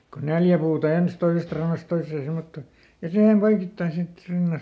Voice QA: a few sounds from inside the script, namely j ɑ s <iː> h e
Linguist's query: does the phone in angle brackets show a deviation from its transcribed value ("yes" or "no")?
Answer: yes